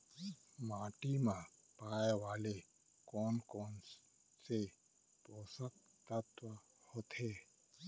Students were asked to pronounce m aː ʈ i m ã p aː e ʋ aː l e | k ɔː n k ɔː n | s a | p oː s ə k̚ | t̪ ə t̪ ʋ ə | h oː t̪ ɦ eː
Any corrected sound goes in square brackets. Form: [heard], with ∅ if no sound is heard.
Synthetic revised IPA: m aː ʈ i m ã p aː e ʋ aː l e | k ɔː n k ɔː n | s [e] | p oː s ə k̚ | t̪ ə t̪ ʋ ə | h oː t̪ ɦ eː